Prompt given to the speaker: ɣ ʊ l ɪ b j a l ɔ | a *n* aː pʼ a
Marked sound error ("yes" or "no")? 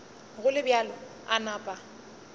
no